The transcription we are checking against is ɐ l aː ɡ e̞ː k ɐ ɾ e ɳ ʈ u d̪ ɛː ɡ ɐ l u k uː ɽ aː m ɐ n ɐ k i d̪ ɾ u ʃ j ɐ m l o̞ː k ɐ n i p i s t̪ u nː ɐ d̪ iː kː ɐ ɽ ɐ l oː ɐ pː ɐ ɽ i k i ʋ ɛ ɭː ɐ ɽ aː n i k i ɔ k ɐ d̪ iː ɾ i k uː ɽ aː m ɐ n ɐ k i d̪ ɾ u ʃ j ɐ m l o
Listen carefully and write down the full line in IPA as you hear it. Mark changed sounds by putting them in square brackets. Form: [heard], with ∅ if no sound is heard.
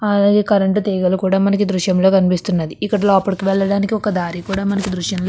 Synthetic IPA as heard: ɐ l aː ɡ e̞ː k ɐ ɾ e ɳ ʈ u [t̪] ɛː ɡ ɐ l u k uː ɽ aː m ɐ n ɐ k i d̪ ɾ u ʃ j ɐ m l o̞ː k ɐ n i p i s t̪ u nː ɐ d̪ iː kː ɐ ɽ ɐ l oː ɐ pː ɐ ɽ i k i ʋ ɛ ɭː ɐ ɽ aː n i k i ɔ k ɐ d̪ [aː] ɾ i k uː ɽ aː m ɐ n ɐ k i d̪ ɾ u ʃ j ɐ m l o